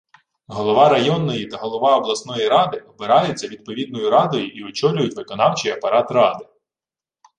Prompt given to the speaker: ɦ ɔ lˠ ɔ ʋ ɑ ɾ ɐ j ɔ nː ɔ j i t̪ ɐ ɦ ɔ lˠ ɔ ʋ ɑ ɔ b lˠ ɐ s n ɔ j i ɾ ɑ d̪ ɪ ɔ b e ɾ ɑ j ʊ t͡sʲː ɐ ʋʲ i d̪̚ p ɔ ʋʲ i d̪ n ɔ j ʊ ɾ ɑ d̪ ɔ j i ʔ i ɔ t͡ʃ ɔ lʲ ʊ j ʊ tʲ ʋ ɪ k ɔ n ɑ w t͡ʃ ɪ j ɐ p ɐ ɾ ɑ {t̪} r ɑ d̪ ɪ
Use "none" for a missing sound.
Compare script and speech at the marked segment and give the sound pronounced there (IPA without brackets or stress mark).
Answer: t̪